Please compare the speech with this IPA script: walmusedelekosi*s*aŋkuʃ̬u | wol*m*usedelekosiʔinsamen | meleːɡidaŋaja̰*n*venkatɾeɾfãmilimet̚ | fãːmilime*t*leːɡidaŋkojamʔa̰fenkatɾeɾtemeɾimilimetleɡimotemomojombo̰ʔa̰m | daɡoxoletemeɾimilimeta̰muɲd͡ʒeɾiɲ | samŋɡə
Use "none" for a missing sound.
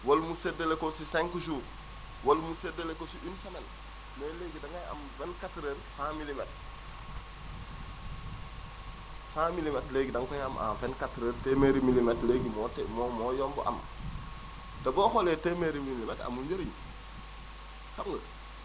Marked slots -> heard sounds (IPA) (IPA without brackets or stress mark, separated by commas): s, m, m, t